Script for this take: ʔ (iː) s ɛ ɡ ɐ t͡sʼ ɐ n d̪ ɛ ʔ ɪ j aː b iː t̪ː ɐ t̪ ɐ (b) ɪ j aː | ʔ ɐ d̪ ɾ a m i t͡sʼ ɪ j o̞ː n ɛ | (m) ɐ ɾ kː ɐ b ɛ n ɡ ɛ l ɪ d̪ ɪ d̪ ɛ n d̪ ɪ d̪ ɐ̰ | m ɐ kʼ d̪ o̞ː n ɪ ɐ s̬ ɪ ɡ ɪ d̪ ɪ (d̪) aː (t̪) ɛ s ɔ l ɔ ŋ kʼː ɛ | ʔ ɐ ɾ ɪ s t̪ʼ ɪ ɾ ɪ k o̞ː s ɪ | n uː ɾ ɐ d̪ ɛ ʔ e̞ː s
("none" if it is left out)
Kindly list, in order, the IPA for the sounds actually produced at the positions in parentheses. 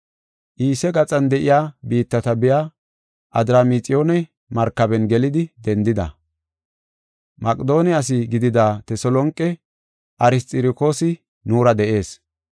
iː, b, m, d̪, t̪

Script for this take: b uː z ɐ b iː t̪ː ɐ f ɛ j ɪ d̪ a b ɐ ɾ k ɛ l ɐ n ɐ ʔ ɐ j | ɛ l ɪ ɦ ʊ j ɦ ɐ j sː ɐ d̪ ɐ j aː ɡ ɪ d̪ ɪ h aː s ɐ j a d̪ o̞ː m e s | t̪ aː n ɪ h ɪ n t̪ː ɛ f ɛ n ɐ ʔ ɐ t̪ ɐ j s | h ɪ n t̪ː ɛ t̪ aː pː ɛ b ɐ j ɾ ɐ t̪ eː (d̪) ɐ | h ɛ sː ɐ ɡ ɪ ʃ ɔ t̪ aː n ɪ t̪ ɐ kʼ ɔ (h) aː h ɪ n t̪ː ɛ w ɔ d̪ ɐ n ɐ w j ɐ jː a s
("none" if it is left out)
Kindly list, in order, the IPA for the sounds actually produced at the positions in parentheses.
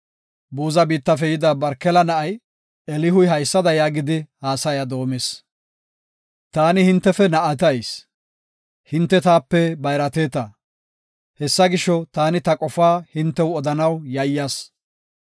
t̪, f

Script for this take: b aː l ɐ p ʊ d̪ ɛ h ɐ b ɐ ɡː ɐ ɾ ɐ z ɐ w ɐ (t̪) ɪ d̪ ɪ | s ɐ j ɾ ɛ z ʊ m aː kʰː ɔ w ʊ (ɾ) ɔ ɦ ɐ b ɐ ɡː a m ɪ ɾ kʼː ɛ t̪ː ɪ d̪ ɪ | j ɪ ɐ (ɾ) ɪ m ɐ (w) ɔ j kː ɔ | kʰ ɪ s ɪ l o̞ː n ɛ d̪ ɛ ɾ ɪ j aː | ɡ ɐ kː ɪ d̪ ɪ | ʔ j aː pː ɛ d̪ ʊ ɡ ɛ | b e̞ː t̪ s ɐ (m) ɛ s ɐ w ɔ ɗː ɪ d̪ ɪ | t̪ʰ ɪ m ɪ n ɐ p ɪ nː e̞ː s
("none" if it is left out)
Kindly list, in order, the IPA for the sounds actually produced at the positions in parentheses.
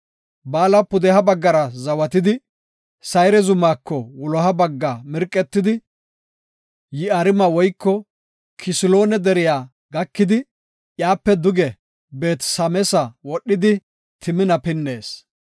t̪, l, ɾ, w, m

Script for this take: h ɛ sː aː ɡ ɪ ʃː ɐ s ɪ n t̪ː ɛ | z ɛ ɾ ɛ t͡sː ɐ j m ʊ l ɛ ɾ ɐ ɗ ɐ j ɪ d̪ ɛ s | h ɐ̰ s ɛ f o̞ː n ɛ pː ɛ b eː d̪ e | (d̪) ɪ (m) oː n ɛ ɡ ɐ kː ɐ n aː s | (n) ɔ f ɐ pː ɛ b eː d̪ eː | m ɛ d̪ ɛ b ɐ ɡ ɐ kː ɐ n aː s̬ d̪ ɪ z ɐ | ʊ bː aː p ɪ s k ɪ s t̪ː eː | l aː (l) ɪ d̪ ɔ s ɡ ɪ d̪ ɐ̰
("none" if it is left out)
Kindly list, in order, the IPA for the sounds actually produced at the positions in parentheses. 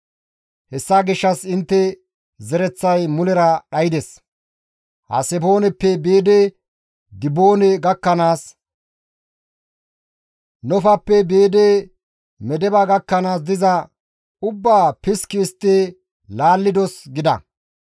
d̪, b, n, lː

